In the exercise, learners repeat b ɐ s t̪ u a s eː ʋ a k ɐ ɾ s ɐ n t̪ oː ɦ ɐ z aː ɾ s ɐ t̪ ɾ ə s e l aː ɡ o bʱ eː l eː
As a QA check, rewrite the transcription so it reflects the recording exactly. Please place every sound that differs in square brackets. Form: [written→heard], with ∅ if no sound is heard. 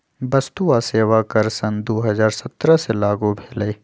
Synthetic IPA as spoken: b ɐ s t̪ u a s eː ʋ a k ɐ ɾ s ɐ n [t̪→d̪] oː ɦ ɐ z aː ɾ s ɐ t̪ ɾ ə s e l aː ɡ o bʱ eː l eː